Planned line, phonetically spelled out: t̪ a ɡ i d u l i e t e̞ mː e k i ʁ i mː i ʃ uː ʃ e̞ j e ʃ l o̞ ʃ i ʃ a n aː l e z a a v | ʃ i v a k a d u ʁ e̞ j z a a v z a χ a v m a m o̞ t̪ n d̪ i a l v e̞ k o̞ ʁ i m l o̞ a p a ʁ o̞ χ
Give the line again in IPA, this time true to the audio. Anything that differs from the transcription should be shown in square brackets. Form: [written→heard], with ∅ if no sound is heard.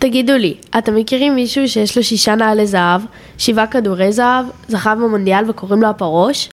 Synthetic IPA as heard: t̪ a ɡ i d u l i [e→a] t e̞ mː e k i ʁ i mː i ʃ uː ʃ e̞ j e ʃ l o̞ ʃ i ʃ a n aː l e z a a v | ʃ i v a k a d u ʁ e̞ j z a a v z a χ a v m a m o̞ [t̪→∅] n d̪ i a l v e̞ k o̞ ʁ i m l o̞ a p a ʁ o̞ [χ→ʃ]